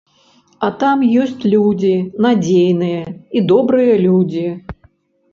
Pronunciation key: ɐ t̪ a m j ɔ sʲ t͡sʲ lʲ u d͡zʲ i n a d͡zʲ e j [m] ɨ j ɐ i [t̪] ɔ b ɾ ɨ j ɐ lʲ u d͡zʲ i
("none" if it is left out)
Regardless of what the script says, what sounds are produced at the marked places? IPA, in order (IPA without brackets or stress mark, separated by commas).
n, d̪